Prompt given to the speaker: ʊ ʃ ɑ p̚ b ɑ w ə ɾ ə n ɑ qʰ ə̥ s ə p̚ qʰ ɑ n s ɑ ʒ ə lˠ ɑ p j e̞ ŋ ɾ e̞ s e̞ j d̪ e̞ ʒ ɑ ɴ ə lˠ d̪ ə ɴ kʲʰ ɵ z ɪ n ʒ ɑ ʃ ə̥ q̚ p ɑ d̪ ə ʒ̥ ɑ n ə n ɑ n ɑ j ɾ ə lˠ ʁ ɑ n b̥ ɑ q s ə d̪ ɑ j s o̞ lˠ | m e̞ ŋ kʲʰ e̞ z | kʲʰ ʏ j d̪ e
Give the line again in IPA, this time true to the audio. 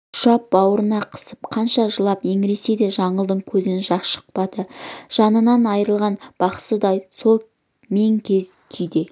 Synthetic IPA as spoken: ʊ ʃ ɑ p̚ b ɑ w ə ɾ ə n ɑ qʰ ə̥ s ə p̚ qʰ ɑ n ʃ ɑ ʒ ə lˠ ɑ p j e̞ ŋ ɾ e̞ s e̞ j d̪ e̞ ʒ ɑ ɴ ə lˠ d̪ ə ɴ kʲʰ ɵ z ɪ n ʒ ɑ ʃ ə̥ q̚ p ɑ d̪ ə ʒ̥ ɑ n ə n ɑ n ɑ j ɾ ə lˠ ʁ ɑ n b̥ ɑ q s ə d̪ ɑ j s o̞ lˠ | m e̞ ŋ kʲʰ e̞ z | kʲʰ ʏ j d̪ e